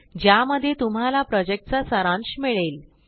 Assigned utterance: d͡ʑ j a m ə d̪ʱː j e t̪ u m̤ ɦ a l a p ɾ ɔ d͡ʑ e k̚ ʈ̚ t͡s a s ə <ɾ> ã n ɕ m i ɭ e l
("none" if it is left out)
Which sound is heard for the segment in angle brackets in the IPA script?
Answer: ɾ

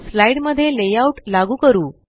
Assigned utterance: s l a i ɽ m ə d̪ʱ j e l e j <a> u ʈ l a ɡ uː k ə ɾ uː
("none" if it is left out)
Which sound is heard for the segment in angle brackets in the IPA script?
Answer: a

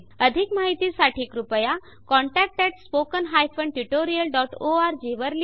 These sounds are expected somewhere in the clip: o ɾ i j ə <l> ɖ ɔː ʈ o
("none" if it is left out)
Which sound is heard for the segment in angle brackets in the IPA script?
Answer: l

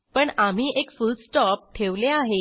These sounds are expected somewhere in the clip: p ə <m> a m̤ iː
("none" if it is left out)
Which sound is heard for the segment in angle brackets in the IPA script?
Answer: ɳ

